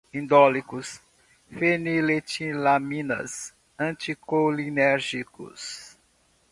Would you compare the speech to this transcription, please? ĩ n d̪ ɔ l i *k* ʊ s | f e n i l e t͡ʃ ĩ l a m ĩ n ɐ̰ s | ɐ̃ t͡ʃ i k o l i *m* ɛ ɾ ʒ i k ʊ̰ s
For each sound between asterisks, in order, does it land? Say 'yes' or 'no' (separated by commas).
yes, no